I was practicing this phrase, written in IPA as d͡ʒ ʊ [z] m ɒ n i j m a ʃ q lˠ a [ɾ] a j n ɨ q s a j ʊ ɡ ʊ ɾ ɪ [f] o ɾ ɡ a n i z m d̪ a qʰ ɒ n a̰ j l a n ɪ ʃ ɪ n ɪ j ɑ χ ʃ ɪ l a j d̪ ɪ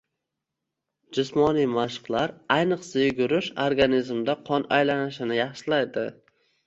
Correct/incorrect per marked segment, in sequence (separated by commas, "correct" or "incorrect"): incorrect, correct, incorrect